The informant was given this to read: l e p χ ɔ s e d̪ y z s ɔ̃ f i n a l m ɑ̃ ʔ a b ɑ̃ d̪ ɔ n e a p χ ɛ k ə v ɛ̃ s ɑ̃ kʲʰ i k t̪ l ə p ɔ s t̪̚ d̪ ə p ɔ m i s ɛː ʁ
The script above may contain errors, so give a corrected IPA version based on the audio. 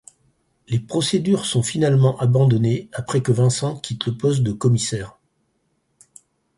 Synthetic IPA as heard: l e p χ ɔ s e d̪ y ʁ s ɔ̃ f i n a l m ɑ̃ ʔ a b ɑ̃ d̪ ɔ n e a p χ ɛ k ə v ɛ̃ s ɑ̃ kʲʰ i t̪ l ə p ɔ s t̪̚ d̪ ə k ɔ m i s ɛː ʁ